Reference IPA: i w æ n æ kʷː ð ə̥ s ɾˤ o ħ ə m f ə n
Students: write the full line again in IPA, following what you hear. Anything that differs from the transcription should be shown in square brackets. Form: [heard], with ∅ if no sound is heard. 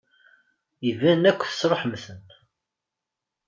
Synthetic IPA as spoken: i [v] æ n æ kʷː [θ] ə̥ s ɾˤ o ħ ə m [θ] ə n